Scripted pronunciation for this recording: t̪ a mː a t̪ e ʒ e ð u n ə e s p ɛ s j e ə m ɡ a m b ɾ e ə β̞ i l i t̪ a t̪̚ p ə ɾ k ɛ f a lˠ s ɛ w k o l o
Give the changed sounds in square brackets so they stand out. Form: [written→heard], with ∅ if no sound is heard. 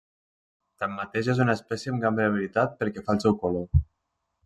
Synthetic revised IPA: t̪ a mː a t̪ e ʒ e [ð→z] u n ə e s p ɛ s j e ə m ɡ a m b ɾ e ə β̞ i l i t̪ a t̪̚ p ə ɾ k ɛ f a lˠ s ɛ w k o l o